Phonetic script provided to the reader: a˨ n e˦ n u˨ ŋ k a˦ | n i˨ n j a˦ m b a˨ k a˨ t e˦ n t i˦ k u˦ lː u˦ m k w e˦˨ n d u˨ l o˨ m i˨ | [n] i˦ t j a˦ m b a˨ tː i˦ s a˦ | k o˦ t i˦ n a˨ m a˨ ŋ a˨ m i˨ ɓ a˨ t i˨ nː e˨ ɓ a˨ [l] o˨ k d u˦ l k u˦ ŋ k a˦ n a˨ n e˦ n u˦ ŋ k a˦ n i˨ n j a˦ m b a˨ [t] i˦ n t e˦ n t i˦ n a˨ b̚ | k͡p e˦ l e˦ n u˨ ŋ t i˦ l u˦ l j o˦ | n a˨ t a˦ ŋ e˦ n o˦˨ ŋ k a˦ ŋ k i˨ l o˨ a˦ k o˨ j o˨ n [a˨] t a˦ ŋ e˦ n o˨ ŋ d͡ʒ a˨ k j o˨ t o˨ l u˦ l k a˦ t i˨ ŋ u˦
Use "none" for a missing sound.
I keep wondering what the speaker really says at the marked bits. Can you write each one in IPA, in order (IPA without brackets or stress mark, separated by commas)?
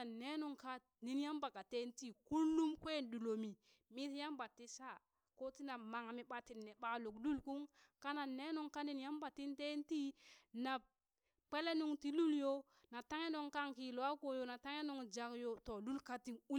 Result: m, l, t, a˨